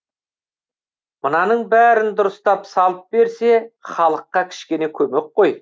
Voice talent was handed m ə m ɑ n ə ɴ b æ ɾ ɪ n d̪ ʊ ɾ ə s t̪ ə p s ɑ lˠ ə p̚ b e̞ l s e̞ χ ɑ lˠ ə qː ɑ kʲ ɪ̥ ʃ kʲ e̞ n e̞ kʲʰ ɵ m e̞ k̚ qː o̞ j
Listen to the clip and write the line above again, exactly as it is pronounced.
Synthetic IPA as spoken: m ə n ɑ n ə ɴ b æ ɾ ɪ n d̪ ʊ ɾ ə s t̪ ɑ p s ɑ lˠ ə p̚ b e̞ ɾ s e̞ χ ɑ lˠ ə qː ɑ kʲʰ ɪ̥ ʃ kʲ e̞ n e̞ kʲʰ ɵ m e̞ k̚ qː o̞ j